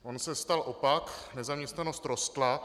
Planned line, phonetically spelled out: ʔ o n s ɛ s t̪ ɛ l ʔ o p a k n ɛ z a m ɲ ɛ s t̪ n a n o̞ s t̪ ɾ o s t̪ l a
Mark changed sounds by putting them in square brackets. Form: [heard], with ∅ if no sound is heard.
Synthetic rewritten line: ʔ o n s ɛ s t̪ [a] l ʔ o p a k n ɛ z a m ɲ ɛ s t̪ n a n o̞ s t̪ ɾ o s t̪ l a